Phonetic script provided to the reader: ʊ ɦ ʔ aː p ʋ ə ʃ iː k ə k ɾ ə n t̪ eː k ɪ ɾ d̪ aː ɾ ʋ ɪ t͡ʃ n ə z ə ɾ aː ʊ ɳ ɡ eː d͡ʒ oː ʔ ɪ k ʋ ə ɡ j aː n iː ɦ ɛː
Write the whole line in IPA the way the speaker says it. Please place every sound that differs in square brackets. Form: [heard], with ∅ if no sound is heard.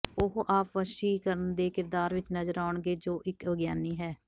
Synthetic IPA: ʊ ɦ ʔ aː p ʋ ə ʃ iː k ə [∅] ɾ ə n [d̪] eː k ɪ ɾ d̪ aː ɾ ʋ ɪ t͡ʃ n ə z ə ɾ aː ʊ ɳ ɡ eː d͡ʒ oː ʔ ɪ k ʋ ə ɡ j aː n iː ɦ ɛː